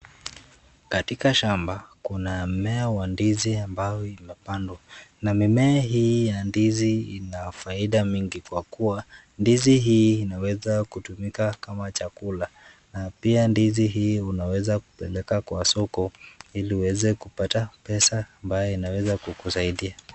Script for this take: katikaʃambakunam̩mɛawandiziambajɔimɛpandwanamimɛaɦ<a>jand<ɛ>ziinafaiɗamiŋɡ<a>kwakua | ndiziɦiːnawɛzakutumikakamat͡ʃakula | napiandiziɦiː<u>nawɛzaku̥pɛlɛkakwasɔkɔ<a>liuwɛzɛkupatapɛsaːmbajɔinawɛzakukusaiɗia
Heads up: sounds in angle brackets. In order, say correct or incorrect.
incorrect: i, incorrect: i, incorrect: i, correct, incorrect: i

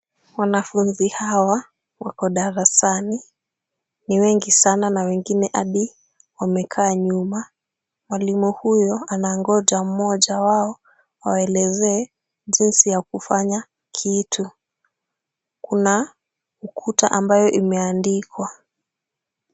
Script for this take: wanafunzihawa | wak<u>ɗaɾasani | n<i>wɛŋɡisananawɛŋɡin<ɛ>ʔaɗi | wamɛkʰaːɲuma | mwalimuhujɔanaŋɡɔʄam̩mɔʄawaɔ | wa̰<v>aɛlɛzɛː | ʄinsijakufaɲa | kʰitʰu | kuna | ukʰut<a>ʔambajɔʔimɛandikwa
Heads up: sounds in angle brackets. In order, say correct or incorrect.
incorrect: ɔ, correct, correct, incorrect: w, correct

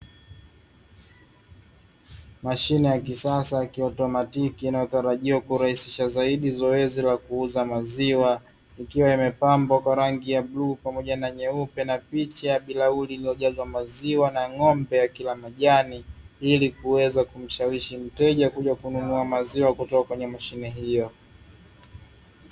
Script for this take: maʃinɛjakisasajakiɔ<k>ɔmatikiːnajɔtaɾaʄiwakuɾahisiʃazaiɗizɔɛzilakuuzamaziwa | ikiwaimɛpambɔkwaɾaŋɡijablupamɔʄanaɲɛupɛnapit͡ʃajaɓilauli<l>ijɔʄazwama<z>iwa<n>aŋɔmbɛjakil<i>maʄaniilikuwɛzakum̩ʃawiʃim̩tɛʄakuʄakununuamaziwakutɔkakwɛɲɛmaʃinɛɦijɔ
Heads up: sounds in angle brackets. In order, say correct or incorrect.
incorrect: t, correct, correct, correct, incorrect: a

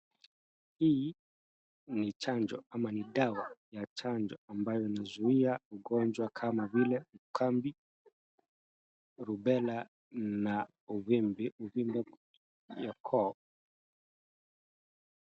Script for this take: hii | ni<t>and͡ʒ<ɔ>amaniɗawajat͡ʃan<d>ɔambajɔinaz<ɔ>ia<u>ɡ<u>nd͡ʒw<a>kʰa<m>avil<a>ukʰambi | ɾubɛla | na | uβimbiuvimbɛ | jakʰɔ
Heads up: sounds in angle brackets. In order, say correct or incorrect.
incorrect: t͡ʃ, correct, incorrect: d͡ʒ, incorrect: u, correct, incorrect: ɔ, correct, correct, incorrect: ɛ

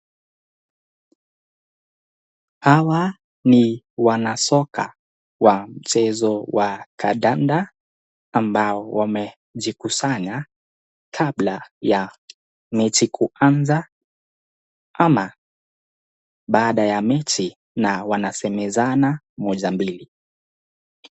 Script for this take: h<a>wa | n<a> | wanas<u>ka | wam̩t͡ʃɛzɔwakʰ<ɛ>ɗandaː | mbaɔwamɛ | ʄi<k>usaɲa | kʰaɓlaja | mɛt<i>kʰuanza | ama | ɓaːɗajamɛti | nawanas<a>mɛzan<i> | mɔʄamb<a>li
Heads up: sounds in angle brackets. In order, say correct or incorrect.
correct, incorrect: i, incorrect: ɔ, incorrect: a, correct, correct, incorrect: ɛ, incorrect: a, incorrect: i

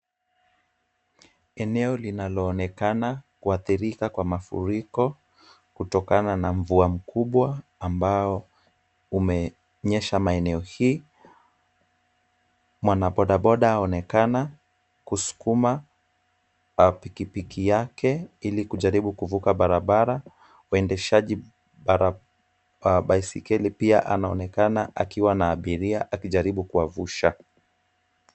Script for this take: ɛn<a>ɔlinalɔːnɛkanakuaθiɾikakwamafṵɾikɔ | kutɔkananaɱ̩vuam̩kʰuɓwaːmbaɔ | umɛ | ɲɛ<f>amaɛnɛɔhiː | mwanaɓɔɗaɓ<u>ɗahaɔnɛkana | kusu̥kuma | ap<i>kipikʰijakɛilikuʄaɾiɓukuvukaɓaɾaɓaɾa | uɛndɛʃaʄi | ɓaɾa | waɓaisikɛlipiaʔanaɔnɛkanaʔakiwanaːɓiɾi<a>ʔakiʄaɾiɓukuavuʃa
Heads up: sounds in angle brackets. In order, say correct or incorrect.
incorrect: ɛ, incorrect: ʃ, incorrect: ɔ, correct, correct

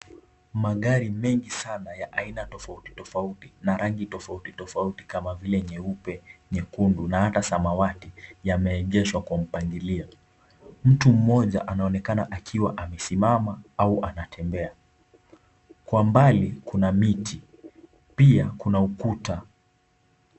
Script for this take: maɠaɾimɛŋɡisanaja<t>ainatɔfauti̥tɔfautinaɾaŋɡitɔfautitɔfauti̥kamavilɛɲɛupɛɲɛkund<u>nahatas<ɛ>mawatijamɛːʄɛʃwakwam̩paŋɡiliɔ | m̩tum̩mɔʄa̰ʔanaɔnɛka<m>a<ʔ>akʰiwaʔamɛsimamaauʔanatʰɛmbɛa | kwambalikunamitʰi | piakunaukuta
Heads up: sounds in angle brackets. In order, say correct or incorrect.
incorrect: ʔ, correct, incorrect: a, incorrect: n, correct

